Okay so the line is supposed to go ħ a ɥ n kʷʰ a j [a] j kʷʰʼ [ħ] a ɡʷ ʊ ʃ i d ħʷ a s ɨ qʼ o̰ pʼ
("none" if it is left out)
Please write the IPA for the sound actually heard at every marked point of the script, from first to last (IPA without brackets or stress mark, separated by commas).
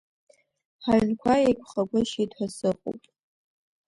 e, χ